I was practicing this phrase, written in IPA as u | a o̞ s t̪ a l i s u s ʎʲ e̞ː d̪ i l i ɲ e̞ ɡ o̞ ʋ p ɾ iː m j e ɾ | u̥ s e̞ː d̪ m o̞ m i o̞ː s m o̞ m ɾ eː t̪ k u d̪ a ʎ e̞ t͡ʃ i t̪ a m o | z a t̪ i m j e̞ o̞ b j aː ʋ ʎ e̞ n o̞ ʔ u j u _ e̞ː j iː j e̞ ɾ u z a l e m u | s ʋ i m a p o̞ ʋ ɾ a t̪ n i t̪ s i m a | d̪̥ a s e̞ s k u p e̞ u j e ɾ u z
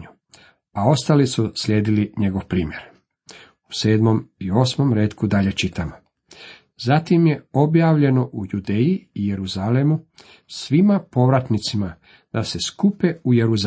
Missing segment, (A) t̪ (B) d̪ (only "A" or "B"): B